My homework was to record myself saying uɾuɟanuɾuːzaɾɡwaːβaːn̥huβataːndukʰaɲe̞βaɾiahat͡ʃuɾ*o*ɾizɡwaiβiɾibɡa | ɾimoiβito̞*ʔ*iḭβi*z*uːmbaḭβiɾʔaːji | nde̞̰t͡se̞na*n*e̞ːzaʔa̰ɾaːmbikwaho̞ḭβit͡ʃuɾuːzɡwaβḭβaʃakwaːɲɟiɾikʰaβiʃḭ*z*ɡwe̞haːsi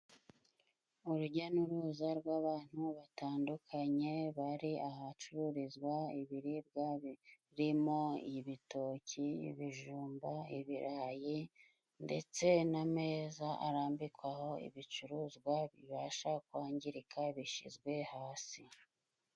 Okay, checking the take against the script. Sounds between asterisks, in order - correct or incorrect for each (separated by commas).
incorrect, incorrect, incorrect, incorrect, correct